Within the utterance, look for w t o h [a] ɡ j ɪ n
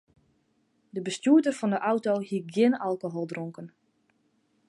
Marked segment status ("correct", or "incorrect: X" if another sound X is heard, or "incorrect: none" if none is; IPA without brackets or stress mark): incorrect: i